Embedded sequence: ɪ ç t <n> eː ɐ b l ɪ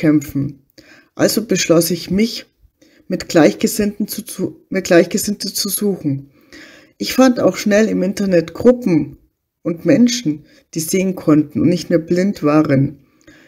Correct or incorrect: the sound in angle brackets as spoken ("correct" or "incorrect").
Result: incorrect